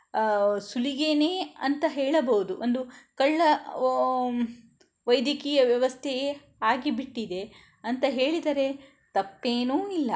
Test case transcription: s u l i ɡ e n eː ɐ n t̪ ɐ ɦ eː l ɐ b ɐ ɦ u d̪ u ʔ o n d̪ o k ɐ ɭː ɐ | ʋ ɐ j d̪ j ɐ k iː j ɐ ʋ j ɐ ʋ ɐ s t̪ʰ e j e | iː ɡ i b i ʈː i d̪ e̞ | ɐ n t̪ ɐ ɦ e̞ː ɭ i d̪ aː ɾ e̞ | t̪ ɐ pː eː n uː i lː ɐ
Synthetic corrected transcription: s u l i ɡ e n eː ɐ n t̪ ɐ ɦ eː ɭ ɐ b ɐ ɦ u d̪ u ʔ o n d̪ u k ɐ ɭː ɐ | ʋ ɐ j d̪ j ɐ k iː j ɐ ʋ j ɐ ʋ ɐ s t̪ʰ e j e | aː ɡ i b i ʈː i d̪ e̞ | ɐ n t̪ ɐ ɦ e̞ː ɭ i d̪ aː ɾ e̞ | t̪ ɐ pː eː n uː i lː ɐ